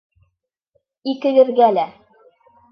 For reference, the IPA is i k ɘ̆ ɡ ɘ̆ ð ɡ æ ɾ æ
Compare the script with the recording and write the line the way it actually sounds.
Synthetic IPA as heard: i k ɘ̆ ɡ ɘ̆ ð ɡ æ l æ